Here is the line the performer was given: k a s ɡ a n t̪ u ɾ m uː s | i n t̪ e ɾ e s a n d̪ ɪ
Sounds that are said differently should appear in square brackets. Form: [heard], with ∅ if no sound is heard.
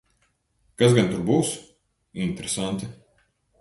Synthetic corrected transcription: k a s ɡ a n t̪ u ɾ [b] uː s | i n t̪ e ɾ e s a n [t̪] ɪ